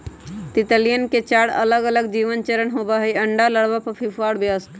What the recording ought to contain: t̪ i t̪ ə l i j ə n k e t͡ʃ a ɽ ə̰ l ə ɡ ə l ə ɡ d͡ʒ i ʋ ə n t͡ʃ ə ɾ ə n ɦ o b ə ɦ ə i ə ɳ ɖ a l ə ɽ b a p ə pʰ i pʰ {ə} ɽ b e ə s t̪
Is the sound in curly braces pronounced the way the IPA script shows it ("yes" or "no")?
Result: no